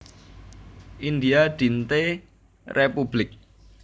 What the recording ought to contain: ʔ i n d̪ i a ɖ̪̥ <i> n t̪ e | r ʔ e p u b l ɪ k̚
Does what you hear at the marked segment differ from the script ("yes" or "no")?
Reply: no